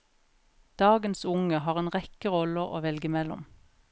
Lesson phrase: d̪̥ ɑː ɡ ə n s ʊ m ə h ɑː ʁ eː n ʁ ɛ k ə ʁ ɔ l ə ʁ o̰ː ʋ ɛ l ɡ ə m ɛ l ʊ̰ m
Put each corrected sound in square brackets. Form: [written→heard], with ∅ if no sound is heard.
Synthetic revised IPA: d̪̥ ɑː ɡ ə n s ʊ [m→ŋ] ə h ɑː ʁ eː n ʁ ɛ k ə ʁ ɔ l ə ʁ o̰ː ʋ ɛ l ɡ ə m ɛ l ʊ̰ m